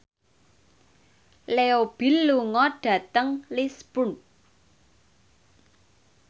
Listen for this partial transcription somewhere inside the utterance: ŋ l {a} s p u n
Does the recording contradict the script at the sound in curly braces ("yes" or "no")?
yes